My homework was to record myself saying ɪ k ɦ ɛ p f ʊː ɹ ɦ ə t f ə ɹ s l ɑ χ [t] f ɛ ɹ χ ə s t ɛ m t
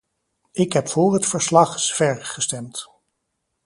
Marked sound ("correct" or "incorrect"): incorrect